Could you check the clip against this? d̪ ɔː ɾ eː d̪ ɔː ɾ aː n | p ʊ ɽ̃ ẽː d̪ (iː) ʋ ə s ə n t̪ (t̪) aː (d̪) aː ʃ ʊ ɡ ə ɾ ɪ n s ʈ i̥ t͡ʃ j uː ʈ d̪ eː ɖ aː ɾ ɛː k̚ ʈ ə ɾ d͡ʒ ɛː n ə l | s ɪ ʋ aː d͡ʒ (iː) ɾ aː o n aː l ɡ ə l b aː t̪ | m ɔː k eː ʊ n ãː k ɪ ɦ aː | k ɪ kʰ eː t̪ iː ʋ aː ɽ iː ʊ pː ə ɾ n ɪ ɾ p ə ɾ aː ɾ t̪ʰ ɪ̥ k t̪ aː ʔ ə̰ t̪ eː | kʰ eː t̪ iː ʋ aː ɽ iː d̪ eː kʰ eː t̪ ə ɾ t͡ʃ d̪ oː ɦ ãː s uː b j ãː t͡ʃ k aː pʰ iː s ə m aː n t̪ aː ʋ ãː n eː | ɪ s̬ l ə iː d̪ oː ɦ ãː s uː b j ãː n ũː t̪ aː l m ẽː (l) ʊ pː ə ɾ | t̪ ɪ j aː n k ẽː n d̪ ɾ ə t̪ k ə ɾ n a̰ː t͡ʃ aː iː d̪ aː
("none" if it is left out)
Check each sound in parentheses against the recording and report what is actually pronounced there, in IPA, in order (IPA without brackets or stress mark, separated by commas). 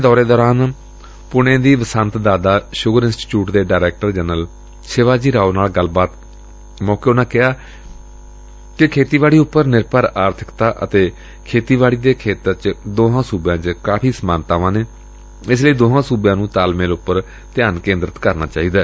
iː, d̪, d̪, iː, l